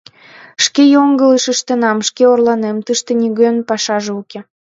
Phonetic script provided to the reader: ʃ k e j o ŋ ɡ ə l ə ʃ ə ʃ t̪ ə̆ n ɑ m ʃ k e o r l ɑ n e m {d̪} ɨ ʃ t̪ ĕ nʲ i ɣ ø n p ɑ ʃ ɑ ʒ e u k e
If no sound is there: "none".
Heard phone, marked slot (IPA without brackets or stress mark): t̪